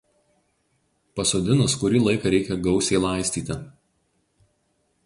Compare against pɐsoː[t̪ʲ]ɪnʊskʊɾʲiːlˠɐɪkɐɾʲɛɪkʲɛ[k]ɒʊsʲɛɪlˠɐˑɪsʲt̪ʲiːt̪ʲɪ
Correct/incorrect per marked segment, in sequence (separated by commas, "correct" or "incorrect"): incorrect, incorrect